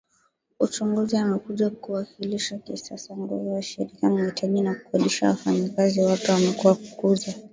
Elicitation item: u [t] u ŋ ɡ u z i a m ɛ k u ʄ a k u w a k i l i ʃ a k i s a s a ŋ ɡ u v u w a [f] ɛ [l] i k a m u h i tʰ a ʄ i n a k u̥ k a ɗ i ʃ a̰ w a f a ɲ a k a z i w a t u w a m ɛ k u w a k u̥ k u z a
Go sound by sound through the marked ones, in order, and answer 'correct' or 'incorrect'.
incorrect: t͡ʃ, incorrect: ʃ, incorrect: ɾ

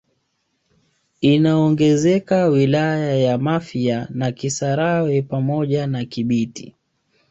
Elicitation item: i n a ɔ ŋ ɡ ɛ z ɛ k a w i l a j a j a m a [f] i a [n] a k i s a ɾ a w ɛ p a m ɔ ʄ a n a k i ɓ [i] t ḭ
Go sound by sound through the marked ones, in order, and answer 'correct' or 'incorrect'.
correct, correct, correct

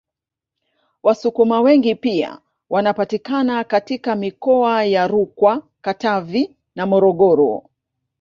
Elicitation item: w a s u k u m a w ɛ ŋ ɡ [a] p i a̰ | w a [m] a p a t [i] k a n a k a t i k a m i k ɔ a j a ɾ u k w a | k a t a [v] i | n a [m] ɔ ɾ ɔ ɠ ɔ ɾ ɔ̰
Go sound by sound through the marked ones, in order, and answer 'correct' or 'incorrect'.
incorrect: i, incorrect: n, correct, correct, correct

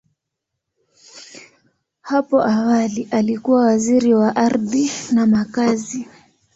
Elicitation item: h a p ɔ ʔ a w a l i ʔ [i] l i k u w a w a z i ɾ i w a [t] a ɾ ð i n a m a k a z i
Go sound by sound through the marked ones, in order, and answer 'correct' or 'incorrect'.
incorrect: a, incorrect: ʔ

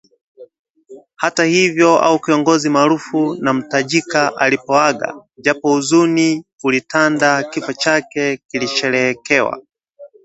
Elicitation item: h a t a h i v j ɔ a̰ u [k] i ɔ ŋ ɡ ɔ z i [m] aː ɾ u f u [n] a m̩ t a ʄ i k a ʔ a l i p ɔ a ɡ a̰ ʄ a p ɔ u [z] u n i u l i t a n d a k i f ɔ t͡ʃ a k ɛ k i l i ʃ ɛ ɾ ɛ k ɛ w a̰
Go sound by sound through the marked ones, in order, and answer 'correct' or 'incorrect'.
correct, correct, correct, correct

